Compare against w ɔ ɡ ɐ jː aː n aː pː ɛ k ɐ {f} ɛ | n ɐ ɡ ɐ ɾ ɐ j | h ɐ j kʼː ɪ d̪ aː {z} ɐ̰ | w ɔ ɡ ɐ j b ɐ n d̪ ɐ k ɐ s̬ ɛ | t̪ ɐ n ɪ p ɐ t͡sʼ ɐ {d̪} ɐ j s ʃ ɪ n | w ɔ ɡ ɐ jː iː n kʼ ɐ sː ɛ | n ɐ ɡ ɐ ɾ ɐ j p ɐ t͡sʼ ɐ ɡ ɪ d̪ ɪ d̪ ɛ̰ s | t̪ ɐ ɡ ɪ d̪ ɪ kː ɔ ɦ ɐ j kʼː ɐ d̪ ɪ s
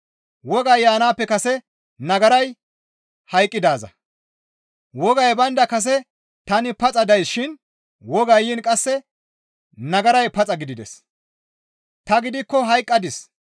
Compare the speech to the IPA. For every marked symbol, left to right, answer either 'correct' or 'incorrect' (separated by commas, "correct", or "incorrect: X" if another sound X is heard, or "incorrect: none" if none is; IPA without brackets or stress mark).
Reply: incorrect: s, correct, correct